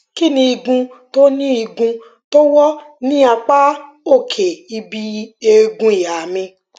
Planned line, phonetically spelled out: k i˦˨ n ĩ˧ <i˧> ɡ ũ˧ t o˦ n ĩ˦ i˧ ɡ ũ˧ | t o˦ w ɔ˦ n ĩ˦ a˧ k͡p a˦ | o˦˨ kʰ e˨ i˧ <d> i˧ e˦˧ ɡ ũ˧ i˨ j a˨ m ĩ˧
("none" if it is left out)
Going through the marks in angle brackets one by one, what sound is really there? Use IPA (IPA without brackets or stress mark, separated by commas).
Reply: i˧, b